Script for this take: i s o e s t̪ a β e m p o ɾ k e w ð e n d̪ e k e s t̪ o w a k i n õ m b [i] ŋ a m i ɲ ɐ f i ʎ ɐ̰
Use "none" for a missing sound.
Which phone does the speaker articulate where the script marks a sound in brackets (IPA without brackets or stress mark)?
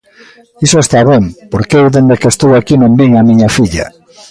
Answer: i